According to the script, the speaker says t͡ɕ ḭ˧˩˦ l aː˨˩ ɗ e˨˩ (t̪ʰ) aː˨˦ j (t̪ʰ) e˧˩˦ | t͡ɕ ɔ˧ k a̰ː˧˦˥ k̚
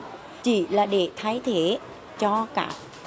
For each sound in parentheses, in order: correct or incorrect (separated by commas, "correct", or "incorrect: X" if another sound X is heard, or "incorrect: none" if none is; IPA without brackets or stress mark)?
correct, correct